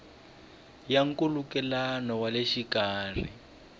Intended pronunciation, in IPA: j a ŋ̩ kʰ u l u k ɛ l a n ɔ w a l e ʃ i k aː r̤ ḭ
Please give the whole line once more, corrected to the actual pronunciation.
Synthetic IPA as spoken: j a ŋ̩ k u l u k ɛ l a n ɔ w a l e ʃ i k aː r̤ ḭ